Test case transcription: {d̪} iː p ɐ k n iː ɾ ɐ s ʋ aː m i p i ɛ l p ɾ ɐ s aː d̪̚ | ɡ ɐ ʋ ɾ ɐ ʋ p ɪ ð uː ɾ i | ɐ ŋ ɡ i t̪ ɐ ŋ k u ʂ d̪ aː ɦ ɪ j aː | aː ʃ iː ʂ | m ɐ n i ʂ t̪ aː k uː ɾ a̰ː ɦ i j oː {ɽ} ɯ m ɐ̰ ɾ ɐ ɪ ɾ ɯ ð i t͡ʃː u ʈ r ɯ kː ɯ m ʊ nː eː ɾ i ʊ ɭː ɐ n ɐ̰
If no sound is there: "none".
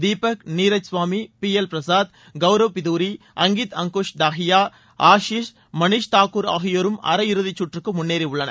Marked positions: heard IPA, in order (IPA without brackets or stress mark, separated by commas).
d̪, ɾ